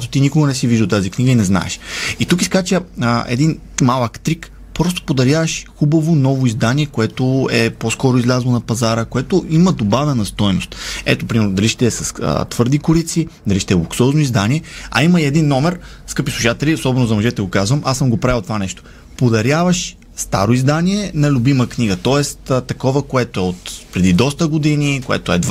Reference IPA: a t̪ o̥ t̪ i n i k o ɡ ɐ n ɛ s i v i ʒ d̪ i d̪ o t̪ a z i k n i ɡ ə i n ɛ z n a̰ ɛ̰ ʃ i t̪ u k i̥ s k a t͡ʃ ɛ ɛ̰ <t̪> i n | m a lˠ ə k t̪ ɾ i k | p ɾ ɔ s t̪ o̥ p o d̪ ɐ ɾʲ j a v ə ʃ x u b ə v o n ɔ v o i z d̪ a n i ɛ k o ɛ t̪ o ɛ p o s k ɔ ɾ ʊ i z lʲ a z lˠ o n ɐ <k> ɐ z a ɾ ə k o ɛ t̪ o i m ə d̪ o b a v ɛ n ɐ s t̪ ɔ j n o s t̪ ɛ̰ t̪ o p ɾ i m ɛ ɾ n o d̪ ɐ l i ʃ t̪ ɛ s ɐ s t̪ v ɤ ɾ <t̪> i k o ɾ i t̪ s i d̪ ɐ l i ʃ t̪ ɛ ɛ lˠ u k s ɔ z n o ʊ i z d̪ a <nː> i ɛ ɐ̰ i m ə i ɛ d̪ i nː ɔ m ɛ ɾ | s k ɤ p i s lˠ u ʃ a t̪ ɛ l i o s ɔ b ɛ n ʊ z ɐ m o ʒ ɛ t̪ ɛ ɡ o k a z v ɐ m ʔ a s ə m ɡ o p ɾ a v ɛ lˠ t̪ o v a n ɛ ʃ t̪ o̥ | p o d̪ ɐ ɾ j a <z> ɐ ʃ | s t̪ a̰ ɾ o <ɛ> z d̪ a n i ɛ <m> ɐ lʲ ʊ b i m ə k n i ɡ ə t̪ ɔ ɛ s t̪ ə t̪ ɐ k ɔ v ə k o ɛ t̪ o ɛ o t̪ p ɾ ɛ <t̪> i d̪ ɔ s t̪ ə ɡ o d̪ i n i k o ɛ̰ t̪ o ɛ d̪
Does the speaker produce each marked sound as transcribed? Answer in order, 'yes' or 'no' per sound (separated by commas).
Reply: no, no, no, no, no, no, no, no